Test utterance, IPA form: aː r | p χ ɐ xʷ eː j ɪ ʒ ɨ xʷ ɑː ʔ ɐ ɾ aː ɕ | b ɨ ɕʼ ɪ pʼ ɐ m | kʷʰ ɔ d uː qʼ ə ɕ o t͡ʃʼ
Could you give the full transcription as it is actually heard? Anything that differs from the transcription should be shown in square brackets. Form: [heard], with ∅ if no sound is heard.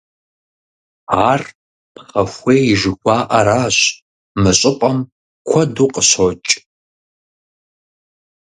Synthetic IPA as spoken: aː r | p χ ɐ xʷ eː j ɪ ʒ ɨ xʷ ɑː ʔ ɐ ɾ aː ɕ | [m] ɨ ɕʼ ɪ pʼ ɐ m | kʷʰ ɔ d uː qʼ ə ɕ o t͡ʃʼ